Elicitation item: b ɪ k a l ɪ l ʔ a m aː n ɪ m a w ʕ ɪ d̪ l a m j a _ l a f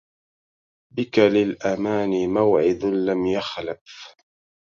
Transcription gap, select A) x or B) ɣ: A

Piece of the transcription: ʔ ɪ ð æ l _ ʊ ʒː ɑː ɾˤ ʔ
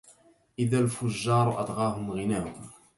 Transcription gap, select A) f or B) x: A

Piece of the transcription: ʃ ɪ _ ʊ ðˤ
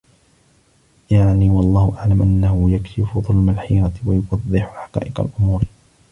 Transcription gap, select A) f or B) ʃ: A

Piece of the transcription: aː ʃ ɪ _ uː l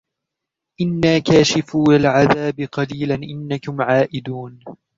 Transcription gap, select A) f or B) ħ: A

